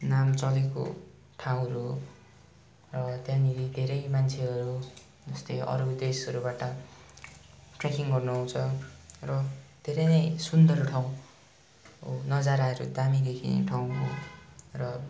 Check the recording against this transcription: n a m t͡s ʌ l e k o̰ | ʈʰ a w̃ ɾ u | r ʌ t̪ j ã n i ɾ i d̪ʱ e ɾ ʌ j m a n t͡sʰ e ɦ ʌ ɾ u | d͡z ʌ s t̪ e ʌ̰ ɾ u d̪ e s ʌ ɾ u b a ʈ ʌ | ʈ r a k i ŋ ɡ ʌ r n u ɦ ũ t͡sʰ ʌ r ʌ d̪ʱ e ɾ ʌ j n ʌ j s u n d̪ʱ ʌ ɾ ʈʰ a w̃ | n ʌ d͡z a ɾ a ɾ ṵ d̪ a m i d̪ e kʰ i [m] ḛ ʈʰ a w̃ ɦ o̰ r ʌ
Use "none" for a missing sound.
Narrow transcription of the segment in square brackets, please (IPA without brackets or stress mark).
n